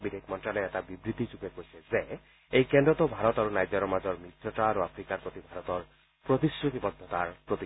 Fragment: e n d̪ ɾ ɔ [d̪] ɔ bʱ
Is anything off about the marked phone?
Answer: yes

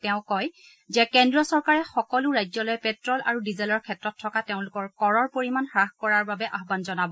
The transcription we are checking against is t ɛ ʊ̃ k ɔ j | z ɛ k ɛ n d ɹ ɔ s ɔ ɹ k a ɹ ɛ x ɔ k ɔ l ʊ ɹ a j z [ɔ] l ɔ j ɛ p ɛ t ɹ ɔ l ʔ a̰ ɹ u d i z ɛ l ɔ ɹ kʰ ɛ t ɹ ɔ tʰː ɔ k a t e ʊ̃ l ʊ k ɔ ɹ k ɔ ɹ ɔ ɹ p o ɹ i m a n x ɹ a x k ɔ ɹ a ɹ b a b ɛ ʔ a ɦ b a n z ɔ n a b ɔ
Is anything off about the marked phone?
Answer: no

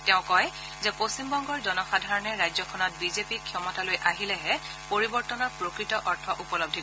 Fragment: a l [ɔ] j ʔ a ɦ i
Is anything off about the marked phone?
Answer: yes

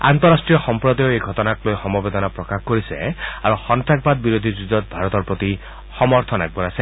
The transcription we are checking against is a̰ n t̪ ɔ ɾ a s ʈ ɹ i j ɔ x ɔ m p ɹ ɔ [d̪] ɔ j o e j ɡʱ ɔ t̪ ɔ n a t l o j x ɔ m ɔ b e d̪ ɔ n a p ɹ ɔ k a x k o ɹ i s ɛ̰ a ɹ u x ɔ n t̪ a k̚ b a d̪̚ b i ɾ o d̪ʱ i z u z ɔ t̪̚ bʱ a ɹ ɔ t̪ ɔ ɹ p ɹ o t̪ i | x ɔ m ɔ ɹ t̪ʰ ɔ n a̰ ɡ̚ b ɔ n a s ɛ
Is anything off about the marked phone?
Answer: no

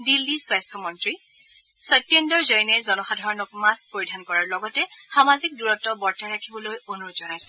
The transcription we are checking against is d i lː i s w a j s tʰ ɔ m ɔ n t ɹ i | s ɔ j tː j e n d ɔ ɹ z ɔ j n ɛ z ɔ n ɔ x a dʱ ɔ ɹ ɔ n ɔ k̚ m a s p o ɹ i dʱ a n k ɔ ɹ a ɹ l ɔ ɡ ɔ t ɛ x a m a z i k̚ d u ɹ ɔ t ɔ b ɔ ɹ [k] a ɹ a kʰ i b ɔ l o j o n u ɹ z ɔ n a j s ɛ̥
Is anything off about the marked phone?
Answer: yes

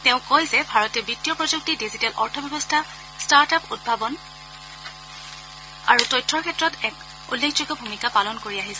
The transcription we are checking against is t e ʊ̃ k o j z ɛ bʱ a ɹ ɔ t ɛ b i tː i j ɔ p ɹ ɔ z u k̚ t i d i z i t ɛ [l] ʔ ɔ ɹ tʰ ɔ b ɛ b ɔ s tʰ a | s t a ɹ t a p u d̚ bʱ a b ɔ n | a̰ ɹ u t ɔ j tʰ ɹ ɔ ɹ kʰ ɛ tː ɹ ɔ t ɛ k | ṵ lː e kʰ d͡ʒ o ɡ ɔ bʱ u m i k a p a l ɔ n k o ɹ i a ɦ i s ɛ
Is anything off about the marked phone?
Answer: no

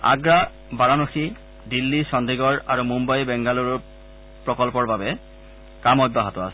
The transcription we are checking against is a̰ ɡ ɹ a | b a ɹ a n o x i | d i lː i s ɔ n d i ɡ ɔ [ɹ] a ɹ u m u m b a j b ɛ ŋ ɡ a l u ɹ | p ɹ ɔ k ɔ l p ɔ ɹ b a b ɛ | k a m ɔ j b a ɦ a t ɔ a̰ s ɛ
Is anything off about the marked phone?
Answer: no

